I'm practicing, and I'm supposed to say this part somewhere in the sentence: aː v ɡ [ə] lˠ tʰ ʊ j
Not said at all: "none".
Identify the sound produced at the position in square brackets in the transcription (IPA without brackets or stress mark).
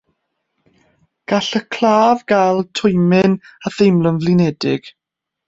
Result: a